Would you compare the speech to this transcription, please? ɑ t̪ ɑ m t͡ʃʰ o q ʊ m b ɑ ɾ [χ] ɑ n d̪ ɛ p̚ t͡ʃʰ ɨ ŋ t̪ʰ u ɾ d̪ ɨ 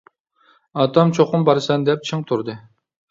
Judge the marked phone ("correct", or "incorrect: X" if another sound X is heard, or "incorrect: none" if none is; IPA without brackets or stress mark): incorrect: s